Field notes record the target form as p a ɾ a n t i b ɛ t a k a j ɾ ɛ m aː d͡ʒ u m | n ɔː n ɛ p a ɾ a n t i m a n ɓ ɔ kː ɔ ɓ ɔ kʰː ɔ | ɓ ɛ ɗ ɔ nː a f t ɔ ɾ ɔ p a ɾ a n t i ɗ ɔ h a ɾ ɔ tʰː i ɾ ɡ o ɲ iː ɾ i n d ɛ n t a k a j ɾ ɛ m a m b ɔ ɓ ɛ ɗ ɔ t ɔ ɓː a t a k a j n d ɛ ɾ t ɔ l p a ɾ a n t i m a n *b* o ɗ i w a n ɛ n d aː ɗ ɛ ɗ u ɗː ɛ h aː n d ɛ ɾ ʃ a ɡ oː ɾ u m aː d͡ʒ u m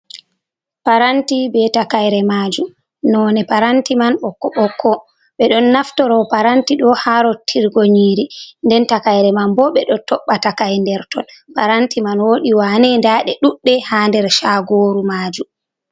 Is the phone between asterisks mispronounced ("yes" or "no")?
yes